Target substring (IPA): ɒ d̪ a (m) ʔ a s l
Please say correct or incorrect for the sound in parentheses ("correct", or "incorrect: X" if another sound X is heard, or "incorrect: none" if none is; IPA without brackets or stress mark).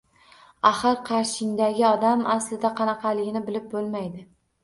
correct